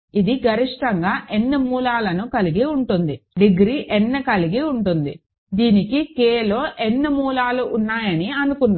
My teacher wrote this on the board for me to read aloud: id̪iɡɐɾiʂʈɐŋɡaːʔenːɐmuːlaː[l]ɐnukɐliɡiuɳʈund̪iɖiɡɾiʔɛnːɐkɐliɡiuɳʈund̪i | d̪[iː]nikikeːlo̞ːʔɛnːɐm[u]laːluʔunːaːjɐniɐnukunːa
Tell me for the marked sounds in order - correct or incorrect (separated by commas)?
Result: correct, correct, incorrect